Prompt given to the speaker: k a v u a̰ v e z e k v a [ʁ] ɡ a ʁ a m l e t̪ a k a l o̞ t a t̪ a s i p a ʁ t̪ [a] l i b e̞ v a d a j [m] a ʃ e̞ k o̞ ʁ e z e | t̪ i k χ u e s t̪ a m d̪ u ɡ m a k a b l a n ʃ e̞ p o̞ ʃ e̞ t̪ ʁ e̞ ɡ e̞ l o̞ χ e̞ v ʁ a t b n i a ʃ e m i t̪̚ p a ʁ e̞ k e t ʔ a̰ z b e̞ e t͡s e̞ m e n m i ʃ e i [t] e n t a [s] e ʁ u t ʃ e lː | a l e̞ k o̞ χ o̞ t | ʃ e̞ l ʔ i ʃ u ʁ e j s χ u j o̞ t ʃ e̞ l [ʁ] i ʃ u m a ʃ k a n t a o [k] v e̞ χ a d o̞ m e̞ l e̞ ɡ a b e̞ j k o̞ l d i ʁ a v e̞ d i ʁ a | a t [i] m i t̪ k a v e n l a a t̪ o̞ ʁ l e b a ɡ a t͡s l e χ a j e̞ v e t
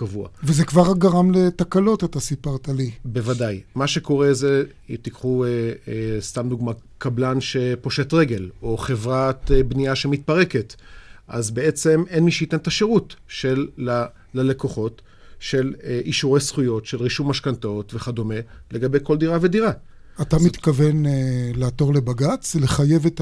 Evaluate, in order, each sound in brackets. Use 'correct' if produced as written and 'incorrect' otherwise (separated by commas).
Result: correct, correct, correct, correct, incorrect, correct, incorrect, incorrect